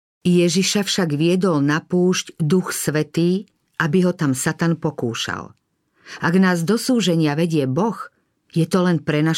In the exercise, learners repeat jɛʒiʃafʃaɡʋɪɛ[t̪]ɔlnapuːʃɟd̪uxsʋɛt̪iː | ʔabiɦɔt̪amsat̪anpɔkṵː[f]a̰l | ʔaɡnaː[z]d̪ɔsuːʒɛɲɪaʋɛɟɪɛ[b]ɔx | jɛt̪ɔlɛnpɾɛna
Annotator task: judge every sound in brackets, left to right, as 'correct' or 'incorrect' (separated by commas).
incorrect, incorrect, correct, correct